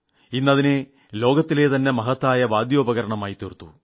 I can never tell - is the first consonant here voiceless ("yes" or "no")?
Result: no